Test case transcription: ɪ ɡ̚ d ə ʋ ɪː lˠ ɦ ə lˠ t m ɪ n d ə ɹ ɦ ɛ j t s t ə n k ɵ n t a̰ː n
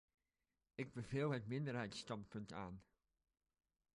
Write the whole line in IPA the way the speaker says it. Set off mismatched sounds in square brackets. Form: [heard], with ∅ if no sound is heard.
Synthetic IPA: ɪ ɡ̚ [b] ə [v] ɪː lˠ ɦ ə [∅] t m ɪ n d ə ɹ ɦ ɛ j t s t [ɑ] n [p] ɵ n t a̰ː n